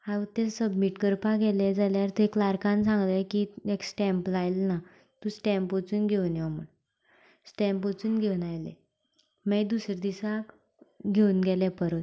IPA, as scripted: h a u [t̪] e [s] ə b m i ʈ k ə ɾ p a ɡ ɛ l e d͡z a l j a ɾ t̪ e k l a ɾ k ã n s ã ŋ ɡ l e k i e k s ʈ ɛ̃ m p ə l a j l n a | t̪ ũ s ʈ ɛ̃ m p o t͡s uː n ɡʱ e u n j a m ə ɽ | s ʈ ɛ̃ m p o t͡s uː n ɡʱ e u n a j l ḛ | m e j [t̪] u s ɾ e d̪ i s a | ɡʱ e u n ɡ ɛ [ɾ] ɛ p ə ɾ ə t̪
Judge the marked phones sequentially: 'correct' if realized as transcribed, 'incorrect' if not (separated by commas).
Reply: correct, correct, incorrect, incorrect